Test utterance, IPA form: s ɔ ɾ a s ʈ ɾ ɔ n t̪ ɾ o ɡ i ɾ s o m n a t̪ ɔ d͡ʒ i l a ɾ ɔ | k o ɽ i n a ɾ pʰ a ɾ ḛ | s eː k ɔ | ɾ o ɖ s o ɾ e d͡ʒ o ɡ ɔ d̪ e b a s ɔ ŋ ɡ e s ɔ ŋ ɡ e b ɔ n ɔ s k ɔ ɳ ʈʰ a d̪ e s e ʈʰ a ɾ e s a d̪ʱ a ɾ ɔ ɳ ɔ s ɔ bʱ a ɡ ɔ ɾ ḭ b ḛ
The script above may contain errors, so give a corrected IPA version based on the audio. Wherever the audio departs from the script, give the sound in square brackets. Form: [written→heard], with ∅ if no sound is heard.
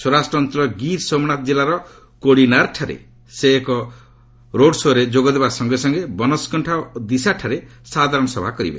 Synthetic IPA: s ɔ ɾ a s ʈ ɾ ɔ n t̪ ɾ [o→ɔ] ɡ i ɾ s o m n a t̪ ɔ d͡ʒ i l a ɾ ɔ | k o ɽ i n a ɾ [pʰ→ʈʰ] a ɾ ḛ | s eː k ɔ | ɾ o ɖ s o ɾ e d͡ʒ o ɡ ɔ d̪ e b a s ɔ ŋ ɡ e s ɔ ŋ ɡ e b ɔ n ɔ s k ɔ ɳ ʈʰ a d̪ [e→i] s [e→a] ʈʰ a ɾ e s a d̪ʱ a ɾ ɔ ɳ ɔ s ɔ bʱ a [ɡ→k] ɔ ɾ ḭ b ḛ